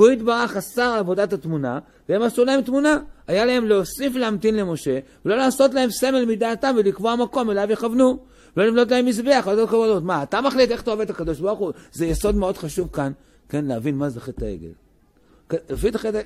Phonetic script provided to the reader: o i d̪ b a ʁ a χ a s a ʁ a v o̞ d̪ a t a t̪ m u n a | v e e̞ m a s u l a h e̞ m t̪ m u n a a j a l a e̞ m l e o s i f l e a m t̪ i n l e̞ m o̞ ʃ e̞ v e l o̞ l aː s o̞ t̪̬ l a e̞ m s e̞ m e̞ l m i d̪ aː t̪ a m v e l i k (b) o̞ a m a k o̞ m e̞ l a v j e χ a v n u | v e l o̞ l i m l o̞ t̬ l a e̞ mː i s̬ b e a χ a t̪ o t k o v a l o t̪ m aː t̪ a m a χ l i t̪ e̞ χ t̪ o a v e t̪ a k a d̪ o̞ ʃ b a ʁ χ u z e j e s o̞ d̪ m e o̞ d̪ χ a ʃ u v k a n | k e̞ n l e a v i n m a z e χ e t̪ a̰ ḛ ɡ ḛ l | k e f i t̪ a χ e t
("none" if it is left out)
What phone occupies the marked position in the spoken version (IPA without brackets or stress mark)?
v